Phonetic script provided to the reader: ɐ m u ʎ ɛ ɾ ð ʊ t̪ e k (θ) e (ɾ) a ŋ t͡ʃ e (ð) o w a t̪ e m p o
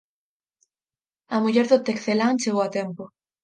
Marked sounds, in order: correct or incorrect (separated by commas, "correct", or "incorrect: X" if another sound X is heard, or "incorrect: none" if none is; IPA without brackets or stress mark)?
correct, incorrect: l, incorrect: ɣ